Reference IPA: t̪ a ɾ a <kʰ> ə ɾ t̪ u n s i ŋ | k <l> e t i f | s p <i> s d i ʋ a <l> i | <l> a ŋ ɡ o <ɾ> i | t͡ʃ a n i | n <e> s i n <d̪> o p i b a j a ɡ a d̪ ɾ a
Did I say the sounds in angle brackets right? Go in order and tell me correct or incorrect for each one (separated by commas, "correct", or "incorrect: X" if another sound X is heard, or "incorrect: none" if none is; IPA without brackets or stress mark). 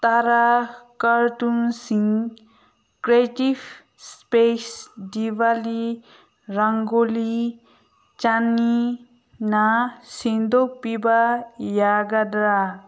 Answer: incorrect: k, incorrect: ɾ, incorrect: e, correct, incorrect: ɾ, incorrect: l, incorrect: a, correct